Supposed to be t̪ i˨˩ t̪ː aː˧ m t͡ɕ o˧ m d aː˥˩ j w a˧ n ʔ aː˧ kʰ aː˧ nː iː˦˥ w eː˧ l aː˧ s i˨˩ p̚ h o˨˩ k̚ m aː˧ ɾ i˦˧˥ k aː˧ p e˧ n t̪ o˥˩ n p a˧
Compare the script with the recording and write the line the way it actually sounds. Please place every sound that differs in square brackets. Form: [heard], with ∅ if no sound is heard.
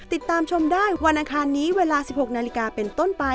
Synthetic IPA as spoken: t̪ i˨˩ t̪ː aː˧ m [t͡ɕʰ] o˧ m d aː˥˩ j w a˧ n ʔ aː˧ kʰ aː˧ nː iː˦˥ w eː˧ l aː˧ s i˨˩ p̚ h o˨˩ k̚ [n] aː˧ [l] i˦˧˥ k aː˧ p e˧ n t̪ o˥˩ n p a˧